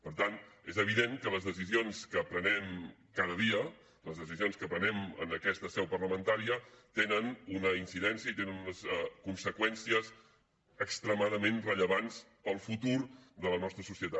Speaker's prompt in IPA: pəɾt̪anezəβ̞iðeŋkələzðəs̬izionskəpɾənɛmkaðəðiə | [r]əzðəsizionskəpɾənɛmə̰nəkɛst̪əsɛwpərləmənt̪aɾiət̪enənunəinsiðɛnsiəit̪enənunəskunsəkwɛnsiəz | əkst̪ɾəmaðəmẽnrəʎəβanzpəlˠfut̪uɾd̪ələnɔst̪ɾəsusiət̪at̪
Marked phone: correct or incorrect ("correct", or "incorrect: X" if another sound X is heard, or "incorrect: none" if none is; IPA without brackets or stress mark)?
incorrect: l